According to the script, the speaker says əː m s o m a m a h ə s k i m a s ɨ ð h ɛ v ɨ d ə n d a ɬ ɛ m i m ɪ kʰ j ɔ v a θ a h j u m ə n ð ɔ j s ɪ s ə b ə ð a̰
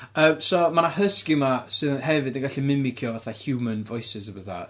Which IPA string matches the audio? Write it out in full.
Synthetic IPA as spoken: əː m s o m a n a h ə s k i m a s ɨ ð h ɛ v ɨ d ə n ɡ a ɬ i m ɪ m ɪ kʰ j ɔ v a θ a h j u m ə n v ɔ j s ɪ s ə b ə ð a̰